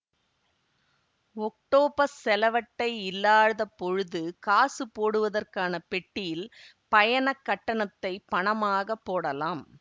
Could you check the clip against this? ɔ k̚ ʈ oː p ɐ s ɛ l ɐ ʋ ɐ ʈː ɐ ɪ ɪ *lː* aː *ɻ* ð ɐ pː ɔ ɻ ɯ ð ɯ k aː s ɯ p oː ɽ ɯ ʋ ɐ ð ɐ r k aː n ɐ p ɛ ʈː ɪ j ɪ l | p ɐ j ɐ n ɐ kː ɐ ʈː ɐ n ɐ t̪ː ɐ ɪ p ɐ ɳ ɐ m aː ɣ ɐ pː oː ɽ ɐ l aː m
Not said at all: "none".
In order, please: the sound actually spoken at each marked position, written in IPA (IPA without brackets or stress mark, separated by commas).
lː, ɻ